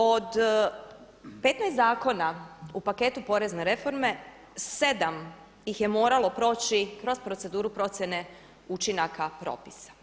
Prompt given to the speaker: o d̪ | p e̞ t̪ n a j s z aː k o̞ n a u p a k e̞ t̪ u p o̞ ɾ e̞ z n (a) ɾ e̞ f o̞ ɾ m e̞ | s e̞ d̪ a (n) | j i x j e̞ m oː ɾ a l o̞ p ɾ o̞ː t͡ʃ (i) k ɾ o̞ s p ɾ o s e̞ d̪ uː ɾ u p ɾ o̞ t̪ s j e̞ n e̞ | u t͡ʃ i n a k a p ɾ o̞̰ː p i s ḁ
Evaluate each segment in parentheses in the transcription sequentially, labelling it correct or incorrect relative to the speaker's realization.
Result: incorrect, incorrect, correct

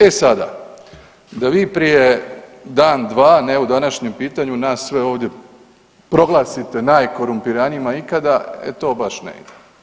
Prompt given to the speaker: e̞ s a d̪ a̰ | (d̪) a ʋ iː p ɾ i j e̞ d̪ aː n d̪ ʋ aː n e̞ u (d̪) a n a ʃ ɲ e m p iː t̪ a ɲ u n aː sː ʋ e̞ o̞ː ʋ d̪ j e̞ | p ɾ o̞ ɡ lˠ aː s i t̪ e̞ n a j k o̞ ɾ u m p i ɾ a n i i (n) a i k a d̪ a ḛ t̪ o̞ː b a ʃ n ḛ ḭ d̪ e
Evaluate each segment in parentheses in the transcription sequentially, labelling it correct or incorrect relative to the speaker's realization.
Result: correct, correct, incorrect

